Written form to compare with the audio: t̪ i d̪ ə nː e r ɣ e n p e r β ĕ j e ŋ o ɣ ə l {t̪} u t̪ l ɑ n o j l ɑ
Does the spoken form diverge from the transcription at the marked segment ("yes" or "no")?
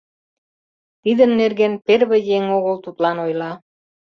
no